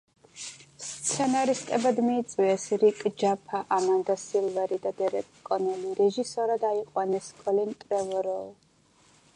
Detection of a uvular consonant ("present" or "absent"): present